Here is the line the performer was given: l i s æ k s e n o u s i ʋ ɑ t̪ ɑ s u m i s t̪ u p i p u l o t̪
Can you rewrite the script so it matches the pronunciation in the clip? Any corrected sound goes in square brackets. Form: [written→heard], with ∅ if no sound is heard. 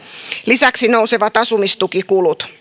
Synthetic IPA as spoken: l i s æ k s [e→i] n o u s [i→e] ʋ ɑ t̪ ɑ s u m i s t̪ u [p→k] i [p→k] u l [o→u] t̪